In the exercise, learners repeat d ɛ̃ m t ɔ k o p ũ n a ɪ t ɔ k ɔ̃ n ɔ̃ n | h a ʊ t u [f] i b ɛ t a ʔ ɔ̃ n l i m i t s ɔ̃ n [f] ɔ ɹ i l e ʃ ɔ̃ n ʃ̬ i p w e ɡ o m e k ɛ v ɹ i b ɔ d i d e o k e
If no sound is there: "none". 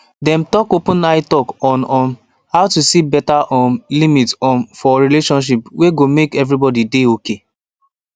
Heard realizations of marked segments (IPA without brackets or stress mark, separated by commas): s, f